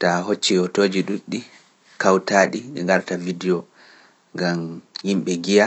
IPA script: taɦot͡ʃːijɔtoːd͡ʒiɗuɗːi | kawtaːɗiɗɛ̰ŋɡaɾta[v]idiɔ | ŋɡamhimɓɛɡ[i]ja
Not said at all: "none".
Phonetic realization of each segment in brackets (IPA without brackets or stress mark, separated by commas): v, i